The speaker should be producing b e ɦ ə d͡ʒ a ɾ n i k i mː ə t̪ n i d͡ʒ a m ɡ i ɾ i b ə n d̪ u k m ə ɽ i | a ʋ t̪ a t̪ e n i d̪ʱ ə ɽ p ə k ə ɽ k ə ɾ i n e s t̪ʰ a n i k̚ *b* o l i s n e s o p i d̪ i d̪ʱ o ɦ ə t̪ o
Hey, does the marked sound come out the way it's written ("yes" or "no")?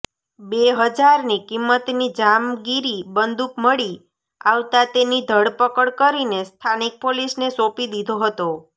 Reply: no